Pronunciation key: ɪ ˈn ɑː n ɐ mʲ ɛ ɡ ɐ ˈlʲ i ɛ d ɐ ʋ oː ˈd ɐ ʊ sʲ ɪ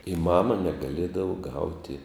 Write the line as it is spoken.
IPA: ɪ ˈm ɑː m ɐ nʲ ɛ ɡ ɐ ˈlʲ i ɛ d ɐ ʋ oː ˈɡ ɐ ʊ tʲ ɪ